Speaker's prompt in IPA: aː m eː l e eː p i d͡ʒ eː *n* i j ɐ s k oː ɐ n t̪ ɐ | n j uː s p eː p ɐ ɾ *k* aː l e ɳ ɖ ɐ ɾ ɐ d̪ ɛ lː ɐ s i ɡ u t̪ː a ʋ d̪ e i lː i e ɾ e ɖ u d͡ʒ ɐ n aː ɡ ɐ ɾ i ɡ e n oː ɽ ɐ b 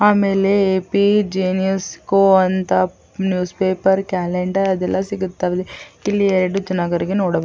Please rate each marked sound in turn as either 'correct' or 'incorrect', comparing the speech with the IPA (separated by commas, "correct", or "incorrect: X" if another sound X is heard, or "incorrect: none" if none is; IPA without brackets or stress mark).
correct, correct